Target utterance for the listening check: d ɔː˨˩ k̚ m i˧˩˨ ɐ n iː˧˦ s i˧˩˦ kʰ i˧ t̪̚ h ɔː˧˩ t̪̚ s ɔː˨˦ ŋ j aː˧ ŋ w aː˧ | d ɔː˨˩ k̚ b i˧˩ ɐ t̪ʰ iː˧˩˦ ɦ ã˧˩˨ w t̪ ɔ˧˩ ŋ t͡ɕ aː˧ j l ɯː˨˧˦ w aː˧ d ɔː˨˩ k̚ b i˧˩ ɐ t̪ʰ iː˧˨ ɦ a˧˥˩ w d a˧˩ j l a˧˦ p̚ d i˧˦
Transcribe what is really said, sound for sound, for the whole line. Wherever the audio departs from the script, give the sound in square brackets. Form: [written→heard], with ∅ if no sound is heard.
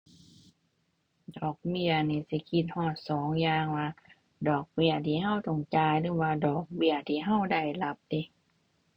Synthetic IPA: d ɔː˨˩ k̚ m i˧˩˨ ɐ n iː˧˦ s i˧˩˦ kʰ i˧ t̪̚ h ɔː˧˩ t̪̚ s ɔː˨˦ ŋ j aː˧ ŋ w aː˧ | d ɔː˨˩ k̚ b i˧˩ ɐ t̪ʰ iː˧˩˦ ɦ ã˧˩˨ w t̪ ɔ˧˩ ŋ t͡ɕ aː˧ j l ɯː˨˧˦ w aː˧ d ɔː˨˩ k̚ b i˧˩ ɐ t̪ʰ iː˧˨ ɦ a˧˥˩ w d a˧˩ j l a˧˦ p̚ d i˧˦